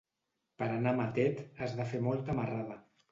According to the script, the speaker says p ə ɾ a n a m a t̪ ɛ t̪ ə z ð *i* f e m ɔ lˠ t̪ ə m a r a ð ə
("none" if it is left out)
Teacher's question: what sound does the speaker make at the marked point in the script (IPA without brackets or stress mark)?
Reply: a